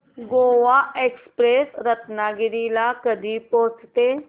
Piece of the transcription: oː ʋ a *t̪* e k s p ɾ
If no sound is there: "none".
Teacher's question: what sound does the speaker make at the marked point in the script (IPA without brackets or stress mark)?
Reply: none